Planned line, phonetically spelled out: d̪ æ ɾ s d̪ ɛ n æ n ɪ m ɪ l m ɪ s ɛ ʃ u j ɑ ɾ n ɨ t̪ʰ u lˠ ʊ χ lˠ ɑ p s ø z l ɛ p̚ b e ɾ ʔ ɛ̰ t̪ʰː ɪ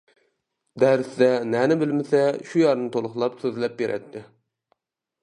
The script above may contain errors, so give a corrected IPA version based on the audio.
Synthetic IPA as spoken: d̪ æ ɾ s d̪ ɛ n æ n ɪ b ɪ l m ɪ s ɛ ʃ u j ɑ ɾ n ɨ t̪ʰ o lˠ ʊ χ lˠ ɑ p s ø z l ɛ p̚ b e ɾ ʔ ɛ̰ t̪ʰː ɪ